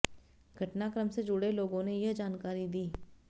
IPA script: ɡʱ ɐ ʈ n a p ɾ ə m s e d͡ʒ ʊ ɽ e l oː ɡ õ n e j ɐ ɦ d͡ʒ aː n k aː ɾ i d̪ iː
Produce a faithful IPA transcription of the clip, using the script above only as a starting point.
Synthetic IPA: ɡʱ ɐ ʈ n a k ɾ ə m s e d͡ʒ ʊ ɽ e l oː ɡ õ n e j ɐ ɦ d͡ʒ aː n k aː ɾ i d̪ iː